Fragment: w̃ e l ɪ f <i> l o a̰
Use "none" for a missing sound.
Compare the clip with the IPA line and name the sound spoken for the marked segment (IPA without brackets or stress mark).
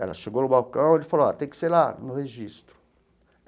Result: a